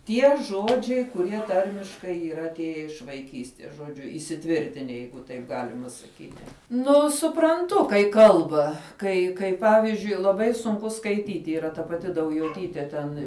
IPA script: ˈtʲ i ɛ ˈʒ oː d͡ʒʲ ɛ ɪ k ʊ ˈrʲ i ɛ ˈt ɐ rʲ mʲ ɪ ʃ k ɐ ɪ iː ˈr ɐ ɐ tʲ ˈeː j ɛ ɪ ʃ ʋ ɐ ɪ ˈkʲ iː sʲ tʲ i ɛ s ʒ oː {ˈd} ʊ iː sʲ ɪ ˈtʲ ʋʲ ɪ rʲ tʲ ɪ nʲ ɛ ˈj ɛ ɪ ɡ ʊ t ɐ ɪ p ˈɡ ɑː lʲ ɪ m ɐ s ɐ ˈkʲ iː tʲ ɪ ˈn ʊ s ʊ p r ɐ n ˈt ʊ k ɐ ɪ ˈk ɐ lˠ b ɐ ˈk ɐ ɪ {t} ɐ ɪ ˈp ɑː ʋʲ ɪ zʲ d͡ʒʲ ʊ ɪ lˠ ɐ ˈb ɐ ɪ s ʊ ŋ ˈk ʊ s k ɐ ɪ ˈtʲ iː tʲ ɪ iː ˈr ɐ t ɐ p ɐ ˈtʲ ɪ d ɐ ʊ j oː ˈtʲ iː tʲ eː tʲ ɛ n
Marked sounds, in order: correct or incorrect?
incorrect, incorrect

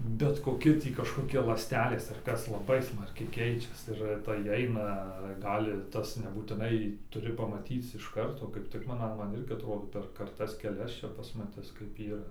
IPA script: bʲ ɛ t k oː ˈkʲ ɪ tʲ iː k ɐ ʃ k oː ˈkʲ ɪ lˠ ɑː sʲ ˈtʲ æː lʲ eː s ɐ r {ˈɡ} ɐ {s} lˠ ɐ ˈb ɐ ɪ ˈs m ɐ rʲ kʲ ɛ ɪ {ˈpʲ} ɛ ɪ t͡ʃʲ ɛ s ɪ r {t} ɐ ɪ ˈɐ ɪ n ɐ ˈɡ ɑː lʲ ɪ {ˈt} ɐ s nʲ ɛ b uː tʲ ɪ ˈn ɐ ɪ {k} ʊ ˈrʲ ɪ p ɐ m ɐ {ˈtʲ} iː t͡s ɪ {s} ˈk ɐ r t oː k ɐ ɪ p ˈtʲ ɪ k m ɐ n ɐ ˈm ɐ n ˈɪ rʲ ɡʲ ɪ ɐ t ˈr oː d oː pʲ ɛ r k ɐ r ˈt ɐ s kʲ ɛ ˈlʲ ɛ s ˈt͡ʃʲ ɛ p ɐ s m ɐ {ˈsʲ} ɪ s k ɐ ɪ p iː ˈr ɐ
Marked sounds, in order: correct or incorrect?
incorrect, correct, incorrect, correct, correct, incorrect, correct, incorrect, incorrect

